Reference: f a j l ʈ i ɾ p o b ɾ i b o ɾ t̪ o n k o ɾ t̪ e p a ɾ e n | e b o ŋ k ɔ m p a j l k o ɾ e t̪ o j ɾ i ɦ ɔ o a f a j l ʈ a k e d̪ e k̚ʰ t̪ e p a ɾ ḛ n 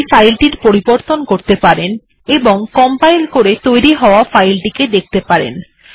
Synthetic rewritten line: f a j l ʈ i ɾ p o ɾ i b o ɾ t̪ o n k o ɾ t̪ e p a ɾ e n | e b o ŋ k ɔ m p a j l k o ɾ e t̪ o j ɾ i ɦ ɔ o a f a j l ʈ i k e d̪ e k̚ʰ t̪ e p a ɾ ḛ n